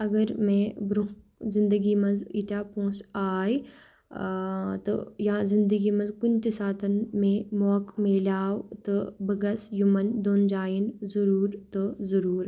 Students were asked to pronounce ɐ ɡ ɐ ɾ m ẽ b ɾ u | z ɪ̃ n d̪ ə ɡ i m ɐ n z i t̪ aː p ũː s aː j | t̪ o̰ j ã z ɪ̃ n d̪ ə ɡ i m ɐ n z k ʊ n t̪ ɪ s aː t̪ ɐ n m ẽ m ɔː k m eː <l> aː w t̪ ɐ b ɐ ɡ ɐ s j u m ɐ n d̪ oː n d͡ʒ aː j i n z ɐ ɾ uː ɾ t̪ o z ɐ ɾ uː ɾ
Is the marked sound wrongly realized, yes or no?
no